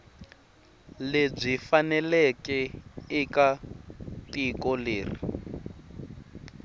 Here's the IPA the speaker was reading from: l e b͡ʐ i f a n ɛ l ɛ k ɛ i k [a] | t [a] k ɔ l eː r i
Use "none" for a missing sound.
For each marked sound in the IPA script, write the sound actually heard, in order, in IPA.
a, i

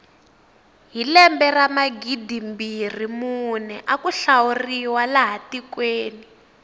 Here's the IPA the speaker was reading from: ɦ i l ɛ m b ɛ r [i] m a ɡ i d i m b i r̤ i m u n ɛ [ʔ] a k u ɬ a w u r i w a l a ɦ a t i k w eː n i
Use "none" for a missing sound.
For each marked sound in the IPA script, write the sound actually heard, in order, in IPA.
a, ʔ

